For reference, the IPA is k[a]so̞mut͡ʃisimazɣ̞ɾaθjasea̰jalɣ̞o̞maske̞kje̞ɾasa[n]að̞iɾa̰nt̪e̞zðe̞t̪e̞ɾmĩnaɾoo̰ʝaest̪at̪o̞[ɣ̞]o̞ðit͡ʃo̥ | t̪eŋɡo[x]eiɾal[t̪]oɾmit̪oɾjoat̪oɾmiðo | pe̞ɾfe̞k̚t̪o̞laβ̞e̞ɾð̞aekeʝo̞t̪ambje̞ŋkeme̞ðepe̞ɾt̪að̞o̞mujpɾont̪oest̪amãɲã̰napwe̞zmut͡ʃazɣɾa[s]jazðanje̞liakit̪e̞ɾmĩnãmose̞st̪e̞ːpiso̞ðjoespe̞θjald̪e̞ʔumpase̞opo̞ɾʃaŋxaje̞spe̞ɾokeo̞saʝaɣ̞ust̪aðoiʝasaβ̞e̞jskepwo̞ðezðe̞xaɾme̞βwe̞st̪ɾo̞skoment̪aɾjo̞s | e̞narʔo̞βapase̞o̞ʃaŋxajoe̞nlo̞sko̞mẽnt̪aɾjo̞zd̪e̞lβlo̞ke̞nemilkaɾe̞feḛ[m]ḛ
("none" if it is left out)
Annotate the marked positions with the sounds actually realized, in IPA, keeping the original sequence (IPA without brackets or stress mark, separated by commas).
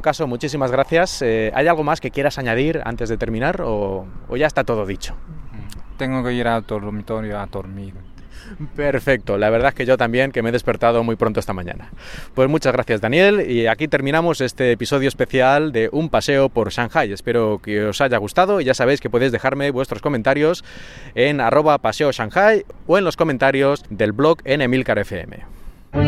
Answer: a, ɲ, ð̞, k, t̪, θ, m